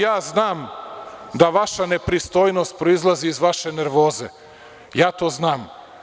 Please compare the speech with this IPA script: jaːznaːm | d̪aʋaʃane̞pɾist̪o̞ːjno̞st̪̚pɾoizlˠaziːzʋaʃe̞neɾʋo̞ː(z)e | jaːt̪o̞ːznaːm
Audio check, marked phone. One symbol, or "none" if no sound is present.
z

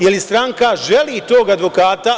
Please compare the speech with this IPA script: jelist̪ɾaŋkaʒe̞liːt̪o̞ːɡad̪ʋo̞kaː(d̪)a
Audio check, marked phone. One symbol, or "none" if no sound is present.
t̪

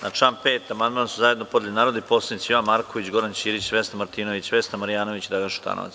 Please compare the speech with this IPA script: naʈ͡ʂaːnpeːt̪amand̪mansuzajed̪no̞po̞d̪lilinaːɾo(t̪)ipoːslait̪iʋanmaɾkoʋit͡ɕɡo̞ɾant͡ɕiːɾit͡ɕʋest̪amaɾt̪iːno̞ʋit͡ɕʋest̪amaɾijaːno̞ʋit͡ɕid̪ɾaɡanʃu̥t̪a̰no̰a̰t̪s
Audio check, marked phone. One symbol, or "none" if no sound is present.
d̪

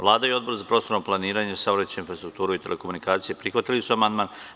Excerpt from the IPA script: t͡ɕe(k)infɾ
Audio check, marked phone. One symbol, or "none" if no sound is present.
none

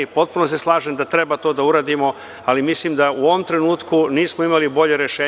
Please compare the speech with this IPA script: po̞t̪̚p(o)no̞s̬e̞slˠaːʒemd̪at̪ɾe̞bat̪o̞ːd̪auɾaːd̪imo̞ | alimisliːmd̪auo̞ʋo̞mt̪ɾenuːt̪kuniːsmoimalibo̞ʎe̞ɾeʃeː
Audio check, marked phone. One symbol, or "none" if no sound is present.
u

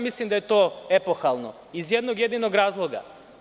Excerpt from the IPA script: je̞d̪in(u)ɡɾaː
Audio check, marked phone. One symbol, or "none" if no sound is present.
o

